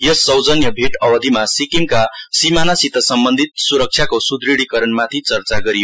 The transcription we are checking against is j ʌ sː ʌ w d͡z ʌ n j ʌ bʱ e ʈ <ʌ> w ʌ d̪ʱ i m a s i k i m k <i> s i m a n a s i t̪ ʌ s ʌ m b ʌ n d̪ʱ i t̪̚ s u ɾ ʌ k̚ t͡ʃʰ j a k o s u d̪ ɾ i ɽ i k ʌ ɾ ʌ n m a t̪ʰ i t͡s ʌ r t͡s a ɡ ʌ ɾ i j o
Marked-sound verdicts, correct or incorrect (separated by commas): correct, incorrect